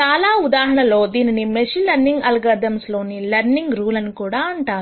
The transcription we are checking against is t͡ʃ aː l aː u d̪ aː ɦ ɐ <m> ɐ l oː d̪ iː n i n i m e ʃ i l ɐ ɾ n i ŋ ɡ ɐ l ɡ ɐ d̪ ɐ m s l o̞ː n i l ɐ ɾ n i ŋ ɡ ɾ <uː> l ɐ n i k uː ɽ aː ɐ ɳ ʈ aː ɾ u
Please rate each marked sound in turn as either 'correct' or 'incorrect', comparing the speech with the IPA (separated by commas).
incorrect, correct